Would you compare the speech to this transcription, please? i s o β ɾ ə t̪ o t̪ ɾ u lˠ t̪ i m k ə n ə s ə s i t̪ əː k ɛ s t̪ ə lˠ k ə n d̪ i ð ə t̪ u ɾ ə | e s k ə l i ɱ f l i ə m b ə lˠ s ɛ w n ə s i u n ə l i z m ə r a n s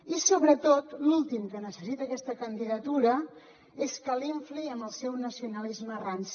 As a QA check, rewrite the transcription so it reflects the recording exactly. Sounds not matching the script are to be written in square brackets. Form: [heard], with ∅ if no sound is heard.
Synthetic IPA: i s o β ɾ ə t̪ o t̪ [l] u lˠ t̪ i m k ə n ə s ə s i t̪ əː k ɛ s t̪ ə [∅] k ə n d̪ i ð ə t̪ u ɾ ə | e s k ə l i ɱ f l i ə m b ə lˠ s ɛ w n ə s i u n ə l i z m ə r a n s